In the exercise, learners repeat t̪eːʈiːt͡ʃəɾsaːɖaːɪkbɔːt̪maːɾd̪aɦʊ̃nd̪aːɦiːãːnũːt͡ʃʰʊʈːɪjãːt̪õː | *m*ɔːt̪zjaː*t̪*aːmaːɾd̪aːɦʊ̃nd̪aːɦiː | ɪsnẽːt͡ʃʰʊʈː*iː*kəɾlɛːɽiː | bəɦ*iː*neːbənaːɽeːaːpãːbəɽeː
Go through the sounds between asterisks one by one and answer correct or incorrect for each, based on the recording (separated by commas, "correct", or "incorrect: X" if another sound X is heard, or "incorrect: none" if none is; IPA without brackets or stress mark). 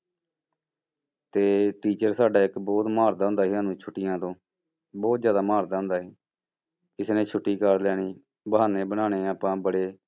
incorrect: b, incorrect: d̪, correct, incorrect: aː